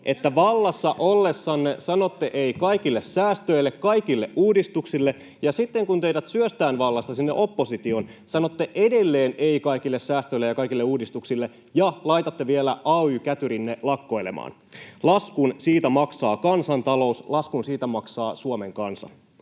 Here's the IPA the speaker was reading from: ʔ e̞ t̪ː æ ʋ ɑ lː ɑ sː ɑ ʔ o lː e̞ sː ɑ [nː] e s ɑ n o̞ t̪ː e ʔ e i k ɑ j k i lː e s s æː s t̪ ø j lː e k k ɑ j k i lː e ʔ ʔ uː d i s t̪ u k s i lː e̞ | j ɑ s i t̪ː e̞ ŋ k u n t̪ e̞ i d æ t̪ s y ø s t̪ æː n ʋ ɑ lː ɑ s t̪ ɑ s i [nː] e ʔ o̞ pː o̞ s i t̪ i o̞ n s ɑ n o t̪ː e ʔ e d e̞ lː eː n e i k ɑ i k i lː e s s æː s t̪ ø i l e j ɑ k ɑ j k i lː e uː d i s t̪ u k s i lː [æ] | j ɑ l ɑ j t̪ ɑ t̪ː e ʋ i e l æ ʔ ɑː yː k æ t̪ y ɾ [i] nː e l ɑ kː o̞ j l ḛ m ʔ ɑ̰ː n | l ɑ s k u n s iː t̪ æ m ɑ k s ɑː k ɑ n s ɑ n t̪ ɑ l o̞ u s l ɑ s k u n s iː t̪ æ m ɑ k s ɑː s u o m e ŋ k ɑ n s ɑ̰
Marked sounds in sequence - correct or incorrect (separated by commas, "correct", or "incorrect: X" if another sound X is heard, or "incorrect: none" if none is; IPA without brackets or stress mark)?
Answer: correct, correct, incorrect: e, correct